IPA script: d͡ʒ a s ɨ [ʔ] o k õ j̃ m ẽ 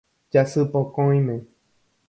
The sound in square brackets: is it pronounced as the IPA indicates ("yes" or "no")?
no